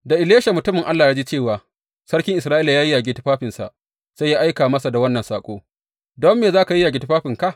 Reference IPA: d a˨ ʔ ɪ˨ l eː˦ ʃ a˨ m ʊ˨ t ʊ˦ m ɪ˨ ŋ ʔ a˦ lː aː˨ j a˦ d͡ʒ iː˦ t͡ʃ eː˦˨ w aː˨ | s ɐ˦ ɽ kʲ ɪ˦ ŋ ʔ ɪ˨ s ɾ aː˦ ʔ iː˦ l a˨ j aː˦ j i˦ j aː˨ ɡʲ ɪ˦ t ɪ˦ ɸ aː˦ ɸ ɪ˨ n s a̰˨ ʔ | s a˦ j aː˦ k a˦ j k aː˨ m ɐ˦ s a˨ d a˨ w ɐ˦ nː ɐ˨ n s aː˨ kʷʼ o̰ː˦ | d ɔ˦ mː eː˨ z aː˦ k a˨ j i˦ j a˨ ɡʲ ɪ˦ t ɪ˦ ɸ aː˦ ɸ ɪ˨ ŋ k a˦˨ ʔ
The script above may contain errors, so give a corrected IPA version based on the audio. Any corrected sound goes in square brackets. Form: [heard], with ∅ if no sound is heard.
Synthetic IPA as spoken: d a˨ ʔ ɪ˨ l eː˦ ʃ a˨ m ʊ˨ t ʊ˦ m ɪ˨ ŋ ʔ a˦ lː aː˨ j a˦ d͡ʒ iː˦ t͡ʃ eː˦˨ w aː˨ | s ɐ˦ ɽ kʲ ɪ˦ ŋ ʔ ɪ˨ s ɾ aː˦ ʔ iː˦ l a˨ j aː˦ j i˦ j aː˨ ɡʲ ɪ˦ t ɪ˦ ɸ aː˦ ɸ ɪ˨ n s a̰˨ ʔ | s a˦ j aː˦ [ʔ] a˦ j k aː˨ m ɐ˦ s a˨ d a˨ w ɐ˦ nː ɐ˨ n s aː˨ kʷʼ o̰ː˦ | d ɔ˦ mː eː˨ z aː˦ k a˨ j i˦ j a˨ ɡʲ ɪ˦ t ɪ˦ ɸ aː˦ ɸ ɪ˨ ŋ k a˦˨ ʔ